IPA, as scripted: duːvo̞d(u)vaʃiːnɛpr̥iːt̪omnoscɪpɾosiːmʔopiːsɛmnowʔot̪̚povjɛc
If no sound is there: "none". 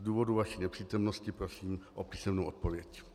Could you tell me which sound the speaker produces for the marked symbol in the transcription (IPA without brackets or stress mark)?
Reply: u